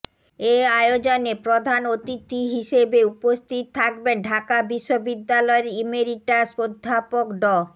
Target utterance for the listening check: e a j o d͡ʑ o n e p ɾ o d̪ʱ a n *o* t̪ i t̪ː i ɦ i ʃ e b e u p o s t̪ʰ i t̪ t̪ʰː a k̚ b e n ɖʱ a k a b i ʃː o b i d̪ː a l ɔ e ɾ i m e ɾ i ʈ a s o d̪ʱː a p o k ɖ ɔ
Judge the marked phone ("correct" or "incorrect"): correct